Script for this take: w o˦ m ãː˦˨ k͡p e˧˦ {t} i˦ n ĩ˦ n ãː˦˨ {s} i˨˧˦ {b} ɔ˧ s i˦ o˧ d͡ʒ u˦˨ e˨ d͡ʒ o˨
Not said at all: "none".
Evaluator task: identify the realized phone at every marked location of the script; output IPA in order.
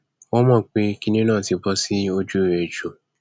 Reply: k, t, b

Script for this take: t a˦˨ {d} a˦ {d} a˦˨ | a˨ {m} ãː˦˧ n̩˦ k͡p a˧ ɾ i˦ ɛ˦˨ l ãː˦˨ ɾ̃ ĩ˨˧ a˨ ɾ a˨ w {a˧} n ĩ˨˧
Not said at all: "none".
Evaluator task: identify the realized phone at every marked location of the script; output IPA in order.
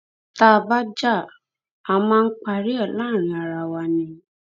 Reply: b, d͡ʒ, m, a˧

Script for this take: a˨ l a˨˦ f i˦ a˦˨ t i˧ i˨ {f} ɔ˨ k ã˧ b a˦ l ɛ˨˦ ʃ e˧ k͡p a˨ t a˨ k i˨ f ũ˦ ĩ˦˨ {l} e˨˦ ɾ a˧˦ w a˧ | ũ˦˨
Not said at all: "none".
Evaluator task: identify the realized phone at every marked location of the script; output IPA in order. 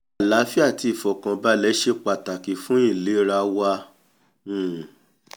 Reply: f, l

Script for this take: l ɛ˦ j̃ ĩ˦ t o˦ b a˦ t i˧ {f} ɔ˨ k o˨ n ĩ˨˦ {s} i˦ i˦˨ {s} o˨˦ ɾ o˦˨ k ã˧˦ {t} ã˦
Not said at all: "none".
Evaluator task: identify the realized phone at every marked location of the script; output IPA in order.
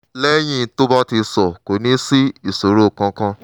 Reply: s, s, s, k

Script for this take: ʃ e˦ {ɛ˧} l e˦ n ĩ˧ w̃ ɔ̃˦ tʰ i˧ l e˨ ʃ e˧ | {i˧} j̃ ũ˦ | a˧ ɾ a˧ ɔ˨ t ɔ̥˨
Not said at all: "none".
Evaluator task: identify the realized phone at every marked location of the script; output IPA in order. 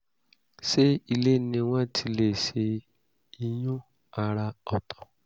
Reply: i˧, i˧

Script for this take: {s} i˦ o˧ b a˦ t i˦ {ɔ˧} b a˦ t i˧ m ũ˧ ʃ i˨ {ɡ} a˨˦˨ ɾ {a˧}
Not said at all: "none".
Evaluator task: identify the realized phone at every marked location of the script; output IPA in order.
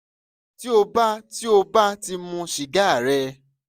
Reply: t, o˧, ɡ, ɛ˧

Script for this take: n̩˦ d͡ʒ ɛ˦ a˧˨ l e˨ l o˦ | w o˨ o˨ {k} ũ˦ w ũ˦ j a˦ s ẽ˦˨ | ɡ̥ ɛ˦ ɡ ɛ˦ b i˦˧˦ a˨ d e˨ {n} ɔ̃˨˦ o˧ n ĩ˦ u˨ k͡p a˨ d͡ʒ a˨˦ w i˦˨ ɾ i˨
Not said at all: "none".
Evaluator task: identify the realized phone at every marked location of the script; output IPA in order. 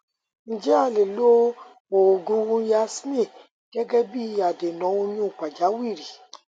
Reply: ɡ, n

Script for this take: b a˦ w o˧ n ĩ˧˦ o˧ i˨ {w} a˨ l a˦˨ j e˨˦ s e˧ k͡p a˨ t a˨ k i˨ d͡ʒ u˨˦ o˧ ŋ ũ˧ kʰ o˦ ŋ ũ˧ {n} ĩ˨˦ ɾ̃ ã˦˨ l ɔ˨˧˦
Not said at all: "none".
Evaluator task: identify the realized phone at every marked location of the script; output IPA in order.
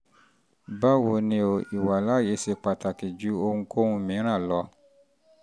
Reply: w, m

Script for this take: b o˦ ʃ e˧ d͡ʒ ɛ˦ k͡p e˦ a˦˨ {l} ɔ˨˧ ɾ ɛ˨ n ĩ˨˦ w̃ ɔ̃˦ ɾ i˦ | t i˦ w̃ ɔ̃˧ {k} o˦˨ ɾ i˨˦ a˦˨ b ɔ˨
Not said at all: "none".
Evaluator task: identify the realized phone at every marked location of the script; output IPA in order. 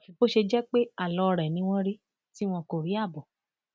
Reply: l, k

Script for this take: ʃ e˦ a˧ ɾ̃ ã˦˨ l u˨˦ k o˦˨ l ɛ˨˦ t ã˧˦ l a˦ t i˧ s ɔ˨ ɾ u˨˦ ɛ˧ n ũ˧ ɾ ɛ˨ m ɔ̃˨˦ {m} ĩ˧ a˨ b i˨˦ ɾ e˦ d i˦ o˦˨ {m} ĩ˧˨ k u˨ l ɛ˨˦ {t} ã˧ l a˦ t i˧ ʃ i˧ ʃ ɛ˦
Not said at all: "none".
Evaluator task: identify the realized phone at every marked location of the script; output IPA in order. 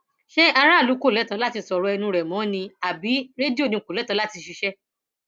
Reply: n, n, t

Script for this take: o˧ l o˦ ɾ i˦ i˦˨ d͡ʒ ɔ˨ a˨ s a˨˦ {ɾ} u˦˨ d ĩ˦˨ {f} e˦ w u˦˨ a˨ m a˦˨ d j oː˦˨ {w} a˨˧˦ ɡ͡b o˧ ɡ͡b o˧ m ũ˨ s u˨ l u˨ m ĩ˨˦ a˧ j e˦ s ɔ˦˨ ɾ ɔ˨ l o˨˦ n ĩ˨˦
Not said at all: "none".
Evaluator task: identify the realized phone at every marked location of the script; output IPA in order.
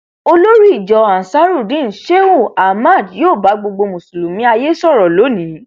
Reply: ɾ, ʃ, b

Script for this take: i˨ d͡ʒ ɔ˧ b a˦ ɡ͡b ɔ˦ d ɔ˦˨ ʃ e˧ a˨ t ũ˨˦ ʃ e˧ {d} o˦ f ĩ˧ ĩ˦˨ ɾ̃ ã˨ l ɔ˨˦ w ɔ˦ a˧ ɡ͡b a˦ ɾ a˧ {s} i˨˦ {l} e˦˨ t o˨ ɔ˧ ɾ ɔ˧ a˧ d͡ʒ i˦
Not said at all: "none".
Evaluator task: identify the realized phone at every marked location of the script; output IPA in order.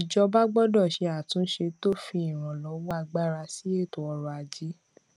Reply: t, s, none

